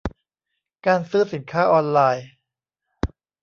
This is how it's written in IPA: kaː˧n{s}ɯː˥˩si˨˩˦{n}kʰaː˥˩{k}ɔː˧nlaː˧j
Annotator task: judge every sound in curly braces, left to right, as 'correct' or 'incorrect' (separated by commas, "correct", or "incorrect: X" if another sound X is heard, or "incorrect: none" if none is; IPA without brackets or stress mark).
correct, correct, incorrect: ʔ